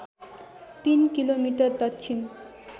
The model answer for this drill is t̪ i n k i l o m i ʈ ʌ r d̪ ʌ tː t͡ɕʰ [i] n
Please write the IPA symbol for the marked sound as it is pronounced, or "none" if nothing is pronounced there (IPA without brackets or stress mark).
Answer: i